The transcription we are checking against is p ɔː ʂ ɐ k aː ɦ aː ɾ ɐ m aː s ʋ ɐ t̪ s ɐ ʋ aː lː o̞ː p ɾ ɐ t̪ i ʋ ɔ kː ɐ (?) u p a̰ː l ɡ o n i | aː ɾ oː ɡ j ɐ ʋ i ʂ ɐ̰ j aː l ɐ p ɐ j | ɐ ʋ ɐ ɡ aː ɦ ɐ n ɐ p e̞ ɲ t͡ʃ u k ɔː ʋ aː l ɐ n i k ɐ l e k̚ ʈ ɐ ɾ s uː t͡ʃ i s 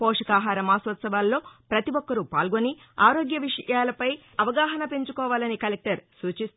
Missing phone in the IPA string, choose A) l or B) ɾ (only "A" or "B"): B